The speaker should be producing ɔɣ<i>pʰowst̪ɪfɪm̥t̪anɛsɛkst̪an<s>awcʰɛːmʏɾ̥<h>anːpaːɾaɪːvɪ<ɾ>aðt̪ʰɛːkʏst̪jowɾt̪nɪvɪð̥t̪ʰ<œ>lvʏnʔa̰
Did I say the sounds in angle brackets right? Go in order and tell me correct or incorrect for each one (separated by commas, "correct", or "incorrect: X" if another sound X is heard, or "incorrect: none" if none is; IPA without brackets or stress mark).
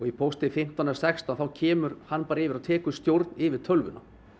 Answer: correct, incorrect: θ, correct, correct, correct